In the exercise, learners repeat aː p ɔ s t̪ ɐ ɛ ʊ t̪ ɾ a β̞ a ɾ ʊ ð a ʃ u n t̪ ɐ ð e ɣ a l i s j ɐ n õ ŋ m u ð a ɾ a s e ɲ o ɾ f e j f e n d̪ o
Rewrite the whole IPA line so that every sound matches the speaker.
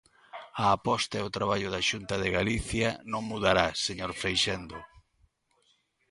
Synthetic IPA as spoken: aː p ɔ s t̪ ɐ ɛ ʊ t̪ ɾ a β̞ a ʎ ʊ ð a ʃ u n t̪ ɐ ð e ɣ a l i θ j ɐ n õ ŋ m u ð a ɾ a s e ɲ o ɾ f e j ʃ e n d̪ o